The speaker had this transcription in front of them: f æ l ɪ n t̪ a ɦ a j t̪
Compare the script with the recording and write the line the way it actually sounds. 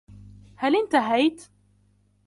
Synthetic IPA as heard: h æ l ɪ n t̪ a ɦ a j t̪